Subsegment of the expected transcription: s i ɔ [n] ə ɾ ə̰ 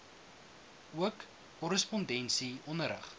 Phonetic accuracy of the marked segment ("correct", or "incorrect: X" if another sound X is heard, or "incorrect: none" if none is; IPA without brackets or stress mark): correct